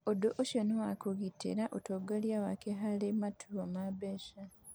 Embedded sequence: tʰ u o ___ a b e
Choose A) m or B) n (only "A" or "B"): A